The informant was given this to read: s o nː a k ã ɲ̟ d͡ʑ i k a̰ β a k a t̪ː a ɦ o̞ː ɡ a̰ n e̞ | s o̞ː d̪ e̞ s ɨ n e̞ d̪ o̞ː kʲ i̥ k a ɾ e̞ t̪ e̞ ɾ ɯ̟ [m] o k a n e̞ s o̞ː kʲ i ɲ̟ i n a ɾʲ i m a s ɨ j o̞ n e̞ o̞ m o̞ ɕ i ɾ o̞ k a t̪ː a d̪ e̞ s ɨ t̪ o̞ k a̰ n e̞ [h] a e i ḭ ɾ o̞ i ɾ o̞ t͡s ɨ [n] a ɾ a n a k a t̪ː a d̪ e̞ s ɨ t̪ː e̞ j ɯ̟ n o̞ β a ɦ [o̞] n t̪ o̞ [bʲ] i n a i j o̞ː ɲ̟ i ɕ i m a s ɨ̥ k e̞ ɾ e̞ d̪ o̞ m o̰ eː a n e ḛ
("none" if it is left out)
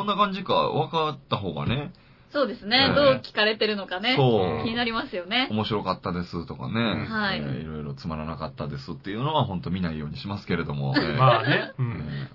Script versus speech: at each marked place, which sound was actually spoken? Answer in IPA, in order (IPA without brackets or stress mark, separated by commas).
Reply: n, h, m, õ̞, mʲ